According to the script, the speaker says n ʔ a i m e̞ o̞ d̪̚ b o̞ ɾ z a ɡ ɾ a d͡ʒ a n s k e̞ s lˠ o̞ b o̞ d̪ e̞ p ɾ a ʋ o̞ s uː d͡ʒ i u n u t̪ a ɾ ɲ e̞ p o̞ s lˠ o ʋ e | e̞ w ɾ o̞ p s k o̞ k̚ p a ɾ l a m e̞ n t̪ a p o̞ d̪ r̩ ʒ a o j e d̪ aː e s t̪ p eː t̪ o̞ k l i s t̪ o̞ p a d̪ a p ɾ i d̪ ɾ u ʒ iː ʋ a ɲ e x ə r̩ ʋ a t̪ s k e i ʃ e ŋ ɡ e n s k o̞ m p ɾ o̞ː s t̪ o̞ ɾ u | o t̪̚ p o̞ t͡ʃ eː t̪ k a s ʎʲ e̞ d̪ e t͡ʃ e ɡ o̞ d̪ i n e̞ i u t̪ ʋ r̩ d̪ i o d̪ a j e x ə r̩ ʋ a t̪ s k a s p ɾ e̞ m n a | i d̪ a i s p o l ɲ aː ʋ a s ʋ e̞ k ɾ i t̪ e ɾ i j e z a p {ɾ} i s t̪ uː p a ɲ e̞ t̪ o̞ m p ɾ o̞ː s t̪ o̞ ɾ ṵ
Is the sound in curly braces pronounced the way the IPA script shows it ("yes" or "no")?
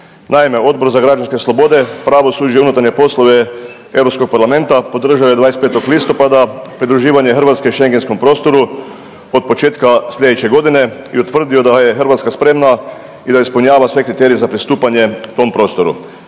yes